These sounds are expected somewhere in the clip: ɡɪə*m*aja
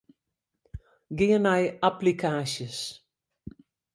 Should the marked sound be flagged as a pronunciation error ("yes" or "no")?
yes